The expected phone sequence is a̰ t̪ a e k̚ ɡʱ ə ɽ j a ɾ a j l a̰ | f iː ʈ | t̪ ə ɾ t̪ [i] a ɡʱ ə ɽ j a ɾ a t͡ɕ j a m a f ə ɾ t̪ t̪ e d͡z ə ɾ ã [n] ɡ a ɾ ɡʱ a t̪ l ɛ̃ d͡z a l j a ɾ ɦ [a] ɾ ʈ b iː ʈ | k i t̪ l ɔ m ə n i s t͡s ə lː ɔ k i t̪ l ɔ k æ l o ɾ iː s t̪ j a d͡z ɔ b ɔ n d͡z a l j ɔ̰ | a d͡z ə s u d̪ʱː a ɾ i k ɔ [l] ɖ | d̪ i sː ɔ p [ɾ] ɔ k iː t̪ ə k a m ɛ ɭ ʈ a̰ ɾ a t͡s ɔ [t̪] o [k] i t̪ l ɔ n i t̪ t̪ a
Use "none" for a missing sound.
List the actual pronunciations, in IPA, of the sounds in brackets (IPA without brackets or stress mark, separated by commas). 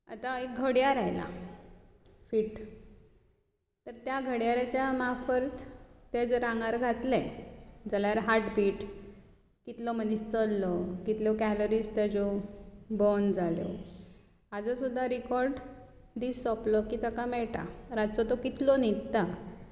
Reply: j, ŋ, a, ɾ, l, t̪, k